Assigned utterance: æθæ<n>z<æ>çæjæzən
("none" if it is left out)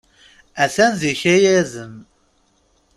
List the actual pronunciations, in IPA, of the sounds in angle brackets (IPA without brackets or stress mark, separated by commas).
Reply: n, i